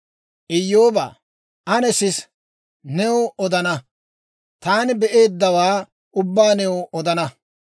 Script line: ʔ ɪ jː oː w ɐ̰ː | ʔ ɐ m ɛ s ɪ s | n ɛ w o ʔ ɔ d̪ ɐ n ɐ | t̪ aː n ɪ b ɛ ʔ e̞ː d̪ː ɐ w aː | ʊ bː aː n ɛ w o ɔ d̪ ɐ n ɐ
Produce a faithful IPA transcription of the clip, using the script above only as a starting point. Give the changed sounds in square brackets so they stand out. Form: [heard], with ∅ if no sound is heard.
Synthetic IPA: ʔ ɪ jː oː [b] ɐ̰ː | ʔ ɐ [n] ɛ s ɪ s | n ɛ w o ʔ ɔ d̪ ɐ n ɐ | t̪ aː n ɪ b ɛ ʔ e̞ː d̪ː ɐ w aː | ʊ bː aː n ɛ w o ɔ d̪ ɐ n ɐ